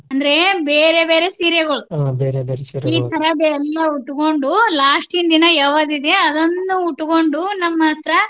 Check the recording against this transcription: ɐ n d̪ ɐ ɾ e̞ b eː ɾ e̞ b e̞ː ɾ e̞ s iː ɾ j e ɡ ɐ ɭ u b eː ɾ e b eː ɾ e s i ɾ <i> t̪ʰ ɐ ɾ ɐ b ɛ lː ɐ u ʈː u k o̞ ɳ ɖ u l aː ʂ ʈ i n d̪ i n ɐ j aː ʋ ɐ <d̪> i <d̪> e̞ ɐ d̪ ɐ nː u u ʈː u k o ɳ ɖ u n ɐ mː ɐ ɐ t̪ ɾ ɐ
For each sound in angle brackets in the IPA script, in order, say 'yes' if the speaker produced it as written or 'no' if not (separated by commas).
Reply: no, yes, yes